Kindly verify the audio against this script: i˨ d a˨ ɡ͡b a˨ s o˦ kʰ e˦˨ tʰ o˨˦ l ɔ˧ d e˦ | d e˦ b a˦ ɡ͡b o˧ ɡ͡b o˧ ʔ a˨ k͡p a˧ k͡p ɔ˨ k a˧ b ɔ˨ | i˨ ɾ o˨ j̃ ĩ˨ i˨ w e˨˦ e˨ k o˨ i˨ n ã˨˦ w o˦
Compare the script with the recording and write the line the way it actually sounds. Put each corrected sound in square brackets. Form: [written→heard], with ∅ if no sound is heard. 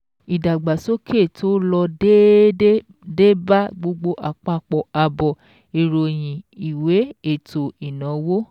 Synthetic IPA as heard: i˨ d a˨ ɡ͡b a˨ s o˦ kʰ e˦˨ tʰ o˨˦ l ɔ˧ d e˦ | d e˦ b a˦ ɡ͡b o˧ ɡ͡b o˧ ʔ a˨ k͡p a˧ k͡p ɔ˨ [k→k͡p] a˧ b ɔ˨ | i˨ ɾ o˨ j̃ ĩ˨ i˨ w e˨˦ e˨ [k→t] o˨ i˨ n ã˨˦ w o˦